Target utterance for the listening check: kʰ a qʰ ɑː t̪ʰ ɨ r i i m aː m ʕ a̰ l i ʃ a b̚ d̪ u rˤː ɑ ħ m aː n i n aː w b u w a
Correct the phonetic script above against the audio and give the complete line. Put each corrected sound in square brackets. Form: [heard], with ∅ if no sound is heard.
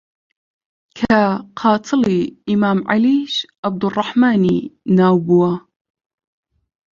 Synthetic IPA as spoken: kʰ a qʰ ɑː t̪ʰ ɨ [l] i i m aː m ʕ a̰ l i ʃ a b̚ d̪ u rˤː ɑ ħ m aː n i n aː w b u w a